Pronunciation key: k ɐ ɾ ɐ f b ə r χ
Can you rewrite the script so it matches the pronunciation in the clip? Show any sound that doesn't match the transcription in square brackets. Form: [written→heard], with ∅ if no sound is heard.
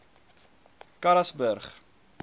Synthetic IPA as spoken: k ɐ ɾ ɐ [f→s] b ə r χ